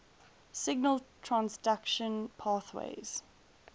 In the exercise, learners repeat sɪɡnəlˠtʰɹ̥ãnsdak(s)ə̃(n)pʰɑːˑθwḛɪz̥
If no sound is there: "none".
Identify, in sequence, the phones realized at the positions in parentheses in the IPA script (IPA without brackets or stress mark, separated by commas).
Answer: ʃ, n